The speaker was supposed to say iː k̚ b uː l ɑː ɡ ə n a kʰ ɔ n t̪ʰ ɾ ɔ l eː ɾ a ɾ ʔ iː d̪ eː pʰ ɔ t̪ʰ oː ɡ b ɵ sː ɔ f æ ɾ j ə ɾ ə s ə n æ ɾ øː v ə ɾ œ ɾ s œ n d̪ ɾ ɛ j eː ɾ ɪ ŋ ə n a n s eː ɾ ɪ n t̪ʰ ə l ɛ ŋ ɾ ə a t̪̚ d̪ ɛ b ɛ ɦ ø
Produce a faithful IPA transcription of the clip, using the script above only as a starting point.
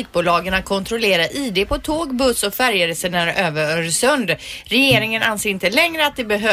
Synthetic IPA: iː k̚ b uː l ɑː ɡ ə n a kʰ ɔ n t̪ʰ ɾ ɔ l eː ɾ a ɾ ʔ iː d̪ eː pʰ ɔ t̪ʰ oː ɡ b ɵ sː ɔ f æ ɾ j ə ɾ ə s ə n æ ɾ øː v ə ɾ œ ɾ s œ n d̪ ɾ ɛ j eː ɾ ɪ ŋ ə n a n s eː ɾ ɪ n t̪ ə l ɛ ŋ ɾ ə a t̪̚ d̪ ɛ b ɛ ɦ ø